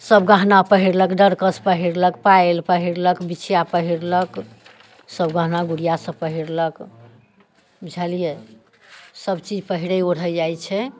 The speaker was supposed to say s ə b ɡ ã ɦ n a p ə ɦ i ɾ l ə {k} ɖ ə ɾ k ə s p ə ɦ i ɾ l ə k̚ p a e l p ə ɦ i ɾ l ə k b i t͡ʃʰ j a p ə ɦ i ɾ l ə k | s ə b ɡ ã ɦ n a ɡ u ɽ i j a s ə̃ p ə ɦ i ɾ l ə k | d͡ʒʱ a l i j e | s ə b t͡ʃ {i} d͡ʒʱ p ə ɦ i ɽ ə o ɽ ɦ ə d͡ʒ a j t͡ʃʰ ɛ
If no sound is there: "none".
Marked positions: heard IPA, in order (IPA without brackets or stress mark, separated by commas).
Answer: k, i